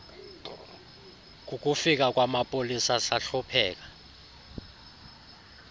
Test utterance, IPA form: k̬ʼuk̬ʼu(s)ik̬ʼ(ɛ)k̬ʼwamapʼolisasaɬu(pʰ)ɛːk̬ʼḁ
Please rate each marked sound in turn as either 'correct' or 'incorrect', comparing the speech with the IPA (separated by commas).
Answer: incorrect, incorrect, correct